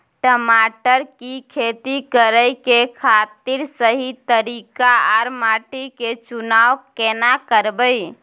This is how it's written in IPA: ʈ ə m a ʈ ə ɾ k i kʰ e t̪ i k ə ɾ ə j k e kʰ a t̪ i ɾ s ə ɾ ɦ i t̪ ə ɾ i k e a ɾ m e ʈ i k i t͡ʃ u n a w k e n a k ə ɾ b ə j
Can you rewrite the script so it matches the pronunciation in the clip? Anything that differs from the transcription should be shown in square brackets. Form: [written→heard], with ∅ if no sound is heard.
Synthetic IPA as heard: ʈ ə m a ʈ ə ɾ k i kʰ e t̪ i k ə ɾ ə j k e kʰ a t̪ i ɾ s ə [ɾ→∅] ɦ i t̪ ə ɾ i k [e→a] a ɾ m [e→a] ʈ i k [i→e] t͡ʃ u n a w k e n a k ə ɾ b ə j